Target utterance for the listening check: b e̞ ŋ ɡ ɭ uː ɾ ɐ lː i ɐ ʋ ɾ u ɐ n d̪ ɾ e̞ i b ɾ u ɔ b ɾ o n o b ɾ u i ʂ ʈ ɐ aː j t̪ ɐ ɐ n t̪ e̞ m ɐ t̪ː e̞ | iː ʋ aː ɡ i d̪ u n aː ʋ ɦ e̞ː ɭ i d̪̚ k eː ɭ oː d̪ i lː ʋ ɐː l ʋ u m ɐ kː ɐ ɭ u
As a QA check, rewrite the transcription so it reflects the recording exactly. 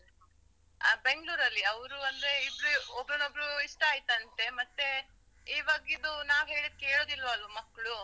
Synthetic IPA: b e̞ ŋ ɡ ɭ uː ɾ ɐ lː i ɐ ʋ ɾ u ɐ n d̪ ɾ e̞ i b ɾ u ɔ b ɾ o n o b ɾ u i ʂ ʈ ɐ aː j t̪ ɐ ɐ n t̪ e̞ m ɐ t̪ː e̞ | iː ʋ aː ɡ i d̪ u n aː ʋ ɦ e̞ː ɭ i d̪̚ k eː ɭ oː d̪ i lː ʋ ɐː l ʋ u m ɐ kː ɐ ɭ u